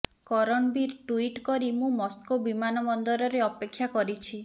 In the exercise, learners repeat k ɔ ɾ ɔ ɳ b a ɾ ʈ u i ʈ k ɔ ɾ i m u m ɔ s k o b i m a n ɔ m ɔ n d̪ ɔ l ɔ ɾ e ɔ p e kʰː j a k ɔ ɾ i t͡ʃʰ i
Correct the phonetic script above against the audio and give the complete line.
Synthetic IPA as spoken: k ɔ ɾ ɔ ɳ b i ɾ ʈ u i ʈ k ɔ ɾ i m ũ m ɔ s k o b i m a n ɔ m ɔ n d̪ ɔ ɾ ɔ ɾ e ɔ p e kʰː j a k ɔ ɾ i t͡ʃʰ i